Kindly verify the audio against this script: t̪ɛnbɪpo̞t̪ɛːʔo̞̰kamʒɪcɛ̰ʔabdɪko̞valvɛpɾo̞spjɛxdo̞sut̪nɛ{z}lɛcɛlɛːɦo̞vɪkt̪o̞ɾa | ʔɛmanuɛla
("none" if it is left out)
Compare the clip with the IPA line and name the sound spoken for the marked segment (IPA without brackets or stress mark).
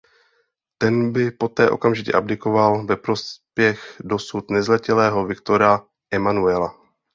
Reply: z